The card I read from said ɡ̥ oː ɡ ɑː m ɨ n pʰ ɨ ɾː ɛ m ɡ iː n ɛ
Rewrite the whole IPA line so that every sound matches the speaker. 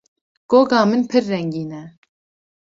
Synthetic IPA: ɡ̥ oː ɡ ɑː m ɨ n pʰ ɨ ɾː ɛ ŋ ɡ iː n ɛ